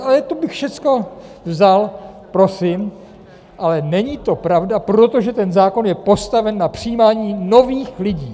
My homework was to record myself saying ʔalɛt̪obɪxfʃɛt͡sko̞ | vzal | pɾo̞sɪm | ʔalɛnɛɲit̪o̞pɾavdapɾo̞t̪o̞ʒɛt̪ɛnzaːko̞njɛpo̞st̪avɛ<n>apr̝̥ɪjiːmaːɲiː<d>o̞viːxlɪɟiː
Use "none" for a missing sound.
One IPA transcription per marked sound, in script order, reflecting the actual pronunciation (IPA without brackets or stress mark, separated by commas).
nː, n